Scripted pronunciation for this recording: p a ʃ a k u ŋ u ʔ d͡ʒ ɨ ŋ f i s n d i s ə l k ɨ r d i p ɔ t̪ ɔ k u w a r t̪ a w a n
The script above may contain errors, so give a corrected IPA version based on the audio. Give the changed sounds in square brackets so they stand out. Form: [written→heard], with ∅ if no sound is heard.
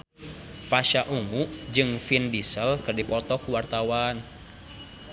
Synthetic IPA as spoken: p a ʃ a [k→ʔ] u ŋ u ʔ d͡ʒ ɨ ŋ f i [s→∅] n d i s ə l k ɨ r d i p ɔ t̪ ɔ k u w a r t̪ a w a n